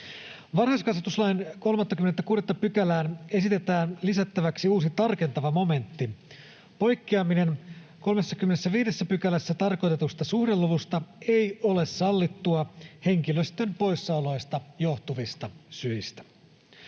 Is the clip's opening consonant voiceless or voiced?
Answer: voiced